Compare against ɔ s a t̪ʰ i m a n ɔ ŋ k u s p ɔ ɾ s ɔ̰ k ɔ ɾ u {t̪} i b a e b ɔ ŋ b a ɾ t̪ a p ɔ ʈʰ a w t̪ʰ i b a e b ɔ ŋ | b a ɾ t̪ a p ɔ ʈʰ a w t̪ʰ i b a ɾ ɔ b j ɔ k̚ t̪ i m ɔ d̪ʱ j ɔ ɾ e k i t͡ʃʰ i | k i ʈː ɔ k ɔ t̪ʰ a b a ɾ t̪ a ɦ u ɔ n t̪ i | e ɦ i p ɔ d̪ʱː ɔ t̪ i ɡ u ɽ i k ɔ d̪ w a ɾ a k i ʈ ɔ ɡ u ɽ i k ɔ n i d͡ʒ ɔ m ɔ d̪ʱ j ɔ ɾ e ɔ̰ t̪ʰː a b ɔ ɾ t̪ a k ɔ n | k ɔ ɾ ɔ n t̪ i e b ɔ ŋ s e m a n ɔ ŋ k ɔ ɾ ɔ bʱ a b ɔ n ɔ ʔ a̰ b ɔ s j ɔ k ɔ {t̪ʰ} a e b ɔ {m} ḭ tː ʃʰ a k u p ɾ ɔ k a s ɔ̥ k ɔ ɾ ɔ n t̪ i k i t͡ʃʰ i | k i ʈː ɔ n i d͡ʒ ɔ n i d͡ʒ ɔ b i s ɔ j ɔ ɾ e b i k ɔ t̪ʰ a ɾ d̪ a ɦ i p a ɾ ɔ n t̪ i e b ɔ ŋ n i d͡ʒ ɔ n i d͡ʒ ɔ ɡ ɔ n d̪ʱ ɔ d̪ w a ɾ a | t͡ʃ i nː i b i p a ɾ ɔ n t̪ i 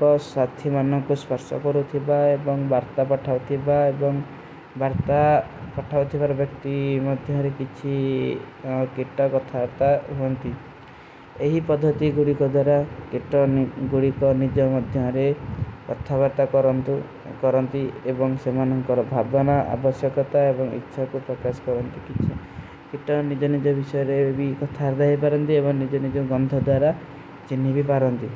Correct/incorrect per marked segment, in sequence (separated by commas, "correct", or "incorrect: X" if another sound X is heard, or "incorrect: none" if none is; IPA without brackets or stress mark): incorrect: t̪ʰ, incorrect: t̪, incorrect: ŋ